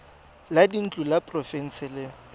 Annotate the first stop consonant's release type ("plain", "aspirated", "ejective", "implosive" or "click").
plain